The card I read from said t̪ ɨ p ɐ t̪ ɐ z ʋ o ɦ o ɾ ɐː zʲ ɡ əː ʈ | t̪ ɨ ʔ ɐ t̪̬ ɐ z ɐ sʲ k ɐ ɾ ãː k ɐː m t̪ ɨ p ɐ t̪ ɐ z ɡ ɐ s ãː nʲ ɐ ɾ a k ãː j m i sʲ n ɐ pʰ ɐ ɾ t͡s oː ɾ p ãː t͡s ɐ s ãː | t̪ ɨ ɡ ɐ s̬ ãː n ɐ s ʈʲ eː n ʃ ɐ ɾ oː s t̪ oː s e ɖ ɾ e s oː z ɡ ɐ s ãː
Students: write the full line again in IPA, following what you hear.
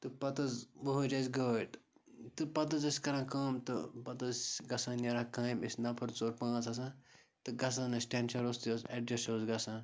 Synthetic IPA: t̪ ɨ p ɐ t̪ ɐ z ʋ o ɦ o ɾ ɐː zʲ ɡ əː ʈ | t̪ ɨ p ɐ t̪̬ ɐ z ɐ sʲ k ɐ ɾ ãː k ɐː m t̪ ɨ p ɐ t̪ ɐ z ɡ ɐ s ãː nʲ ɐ ɾ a k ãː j m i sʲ n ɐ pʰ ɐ ɾ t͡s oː ɾ p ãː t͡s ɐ s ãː | t̪ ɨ ɡ ɐ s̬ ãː n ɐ s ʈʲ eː n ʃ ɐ ɾ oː s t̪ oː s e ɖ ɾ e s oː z ɡ ɐ s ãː